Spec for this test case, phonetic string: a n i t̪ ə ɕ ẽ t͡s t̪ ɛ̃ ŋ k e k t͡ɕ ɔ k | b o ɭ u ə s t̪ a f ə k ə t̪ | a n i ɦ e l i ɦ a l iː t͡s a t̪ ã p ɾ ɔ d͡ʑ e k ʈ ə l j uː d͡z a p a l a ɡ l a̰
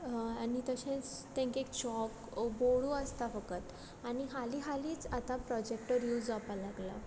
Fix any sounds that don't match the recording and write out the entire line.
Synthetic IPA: a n i t̪ ə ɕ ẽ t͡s t̪ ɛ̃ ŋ k e k t͡ɕ ɔ k | b o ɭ u ə s t̪ a f ə k ə t̪ | a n i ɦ a l i ɦ a l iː t͡s a t̪ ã p ɾ ɔ d͡ʑ e k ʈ ə ɾ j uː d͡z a p a l a ɡ l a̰

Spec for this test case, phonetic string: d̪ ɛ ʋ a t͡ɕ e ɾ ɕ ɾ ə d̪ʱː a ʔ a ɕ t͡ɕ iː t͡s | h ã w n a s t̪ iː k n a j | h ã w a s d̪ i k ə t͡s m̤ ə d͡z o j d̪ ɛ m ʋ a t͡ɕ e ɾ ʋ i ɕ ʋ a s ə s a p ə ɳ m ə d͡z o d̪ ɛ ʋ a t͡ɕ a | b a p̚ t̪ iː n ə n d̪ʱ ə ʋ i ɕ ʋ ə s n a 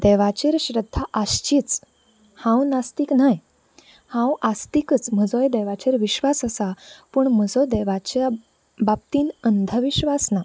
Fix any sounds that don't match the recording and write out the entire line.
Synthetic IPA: d̪ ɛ ʋ a t͡ɕ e ɾ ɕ ɾ ə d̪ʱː a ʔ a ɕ t͡ɕ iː t͡s | h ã w n a s t̪ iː k n a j | h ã w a s t̪ i k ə t͡s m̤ ə d͡z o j d̪ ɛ ʋ a t͡ɕ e ɾ ʋ i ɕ ʋ a s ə s a p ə ɳ m ə d͡z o d̪ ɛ ʋ a t͡ɕ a | b a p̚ t̪ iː n ə n d̪ʱ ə ʋ i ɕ ʋ a s n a

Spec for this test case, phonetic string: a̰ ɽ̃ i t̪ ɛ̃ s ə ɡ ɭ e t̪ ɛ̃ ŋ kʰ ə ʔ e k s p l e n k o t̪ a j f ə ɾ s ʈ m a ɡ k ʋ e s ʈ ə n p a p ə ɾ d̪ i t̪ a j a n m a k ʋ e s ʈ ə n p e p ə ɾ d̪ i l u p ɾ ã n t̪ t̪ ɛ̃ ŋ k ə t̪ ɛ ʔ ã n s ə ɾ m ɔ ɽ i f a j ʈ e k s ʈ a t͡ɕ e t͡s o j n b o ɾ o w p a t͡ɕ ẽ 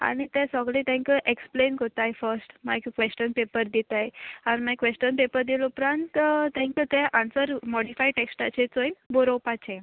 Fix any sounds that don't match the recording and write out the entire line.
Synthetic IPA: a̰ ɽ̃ i t̪ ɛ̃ s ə ɡ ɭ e t̪ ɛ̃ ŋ k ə ʔ e k s p l e n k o t̪ a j f ə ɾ s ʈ m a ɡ k ʋ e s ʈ ə n p e p ə ɾ d̪ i t̪ a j a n m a k ʋ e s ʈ ə n p e p ə ɾ d̪ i l u p ɾ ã n t̪ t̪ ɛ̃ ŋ k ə t̪ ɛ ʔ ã n s ə ɾ m ɔ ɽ i f a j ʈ e k s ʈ a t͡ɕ e t͡s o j n b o ɾ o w p a t͡ɕ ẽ

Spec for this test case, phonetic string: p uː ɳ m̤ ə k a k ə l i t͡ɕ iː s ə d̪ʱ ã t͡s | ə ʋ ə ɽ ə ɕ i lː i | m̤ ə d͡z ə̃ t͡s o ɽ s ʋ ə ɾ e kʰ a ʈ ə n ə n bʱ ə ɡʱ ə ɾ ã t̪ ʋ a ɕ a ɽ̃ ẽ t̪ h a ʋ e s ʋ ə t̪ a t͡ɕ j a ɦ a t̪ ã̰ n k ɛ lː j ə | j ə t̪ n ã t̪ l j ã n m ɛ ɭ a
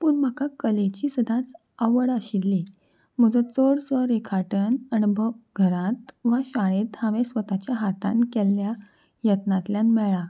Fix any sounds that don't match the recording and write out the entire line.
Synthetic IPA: p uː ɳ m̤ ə k a k ə l e t͡ɕ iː s ə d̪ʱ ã t͡s | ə ʋ ə ɽ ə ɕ i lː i | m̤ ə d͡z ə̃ t͡s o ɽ s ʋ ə ɾ e kʰ a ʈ ə n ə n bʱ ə ɡʱ ə ɾ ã t̪ ʋ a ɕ a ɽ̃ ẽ t̪ h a ʋ e s ʋ ə t̪ a t͡ɕ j a ɦ a t̪ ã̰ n k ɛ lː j a | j ə t̪ n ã t̪ l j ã n m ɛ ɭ a

